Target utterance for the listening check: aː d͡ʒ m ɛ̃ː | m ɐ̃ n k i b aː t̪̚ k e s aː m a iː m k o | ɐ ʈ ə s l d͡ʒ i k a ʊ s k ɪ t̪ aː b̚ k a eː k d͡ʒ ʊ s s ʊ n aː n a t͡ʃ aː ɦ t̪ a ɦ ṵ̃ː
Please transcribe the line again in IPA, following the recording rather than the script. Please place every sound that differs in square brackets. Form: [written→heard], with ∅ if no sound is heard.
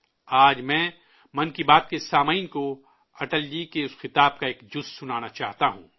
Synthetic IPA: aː d͡ʒ m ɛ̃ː | m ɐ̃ n k i b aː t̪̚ k e s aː m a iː [m→n] k o | ɐ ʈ ə [s→∅] l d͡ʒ i k [a→e] ʊ s [k→x] ɪ t̪ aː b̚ k a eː k d͡ʒ ʊ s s ʊ n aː n a t͡ʃ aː ɦ t̪ a ɦ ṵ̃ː